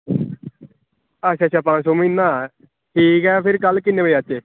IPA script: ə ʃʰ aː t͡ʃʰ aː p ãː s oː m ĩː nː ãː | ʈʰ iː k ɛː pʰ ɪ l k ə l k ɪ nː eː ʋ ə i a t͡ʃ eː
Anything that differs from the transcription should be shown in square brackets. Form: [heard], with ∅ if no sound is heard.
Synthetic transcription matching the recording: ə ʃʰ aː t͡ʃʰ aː p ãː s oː m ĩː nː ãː | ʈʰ iː k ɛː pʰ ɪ [ɾ] k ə l k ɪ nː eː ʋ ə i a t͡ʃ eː